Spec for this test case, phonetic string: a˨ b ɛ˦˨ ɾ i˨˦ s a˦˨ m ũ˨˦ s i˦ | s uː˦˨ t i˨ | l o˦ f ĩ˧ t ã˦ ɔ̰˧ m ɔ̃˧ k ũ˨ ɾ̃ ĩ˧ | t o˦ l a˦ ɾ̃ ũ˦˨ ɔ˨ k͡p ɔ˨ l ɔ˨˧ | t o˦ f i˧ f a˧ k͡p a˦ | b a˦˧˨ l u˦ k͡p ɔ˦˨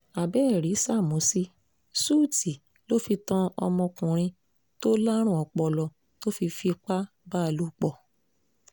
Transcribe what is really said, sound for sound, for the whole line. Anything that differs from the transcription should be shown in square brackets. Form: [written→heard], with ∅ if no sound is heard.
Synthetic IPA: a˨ b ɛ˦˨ ɾ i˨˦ s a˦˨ m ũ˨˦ s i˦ | s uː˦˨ t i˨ | l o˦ f [ĩ˧→i˧] t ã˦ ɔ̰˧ m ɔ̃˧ k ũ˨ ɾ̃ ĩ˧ | t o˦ l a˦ ɾ̃ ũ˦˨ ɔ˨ k͡p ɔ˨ l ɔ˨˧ | t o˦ f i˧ f [a˧→i˧] k͡p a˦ | b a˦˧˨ l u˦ k͡p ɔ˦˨